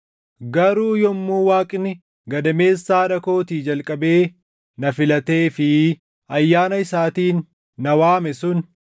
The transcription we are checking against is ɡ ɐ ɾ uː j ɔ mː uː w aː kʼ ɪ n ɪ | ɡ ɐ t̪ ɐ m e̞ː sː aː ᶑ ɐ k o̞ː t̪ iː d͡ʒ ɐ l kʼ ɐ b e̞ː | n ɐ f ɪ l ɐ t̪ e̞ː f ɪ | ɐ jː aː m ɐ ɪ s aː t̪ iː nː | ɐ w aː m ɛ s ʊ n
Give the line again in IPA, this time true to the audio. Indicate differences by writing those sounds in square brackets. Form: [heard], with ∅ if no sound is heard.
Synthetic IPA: ɡ ɐ ɾ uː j ɔ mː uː w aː kʼ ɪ n ɪ | ɡ ɐ [d̪] ɐ m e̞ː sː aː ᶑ ɐ k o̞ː t̪ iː d͡ʒ ɐ l kʼ ɐ b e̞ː | n ɐ f ɪ l ɐ t̪ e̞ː f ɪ | ɐ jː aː [n] ɐ ɪ s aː t̪ iː nː | ɐ w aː m ɛ s ʊ n